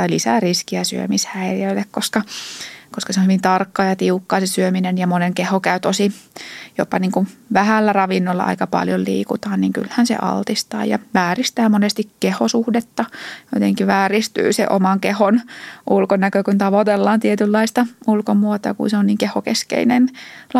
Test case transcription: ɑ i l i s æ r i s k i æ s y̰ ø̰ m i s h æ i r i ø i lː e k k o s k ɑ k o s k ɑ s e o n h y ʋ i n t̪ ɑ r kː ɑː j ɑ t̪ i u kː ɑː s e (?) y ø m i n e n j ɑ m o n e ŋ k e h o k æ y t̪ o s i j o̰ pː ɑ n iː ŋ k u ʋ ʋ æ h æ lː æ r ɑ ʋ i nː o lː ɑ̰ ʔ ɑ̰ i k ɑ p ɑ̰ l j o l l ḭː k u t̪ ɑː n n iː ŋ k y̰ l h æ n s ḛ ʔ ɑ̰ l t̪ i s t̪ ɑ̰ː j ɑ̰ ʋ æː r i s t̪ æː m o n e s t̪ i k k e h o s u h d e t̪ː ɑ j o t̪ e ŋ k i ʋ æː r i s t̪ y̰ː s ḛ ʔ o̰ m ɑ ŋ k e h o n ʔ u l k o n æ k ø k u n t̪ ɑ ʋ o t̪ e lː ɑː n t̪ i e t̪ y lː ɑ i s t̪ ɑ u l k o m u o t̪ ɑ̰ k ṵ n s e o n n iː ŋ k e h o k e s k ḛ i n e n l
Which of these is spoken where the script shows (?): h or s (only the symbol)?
s